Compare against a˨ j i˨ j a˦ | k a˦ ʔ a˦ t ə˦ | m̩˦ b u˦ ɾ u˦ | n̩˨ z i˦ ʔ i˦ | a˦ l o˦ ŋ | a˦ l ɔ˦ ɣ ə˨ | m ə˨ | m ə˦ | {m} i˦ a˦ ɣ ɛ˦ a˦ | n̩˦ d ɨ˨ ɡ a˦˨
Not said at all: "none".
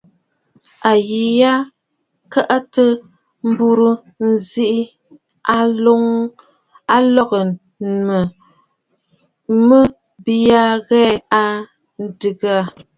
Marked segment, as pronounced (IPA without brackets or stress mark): b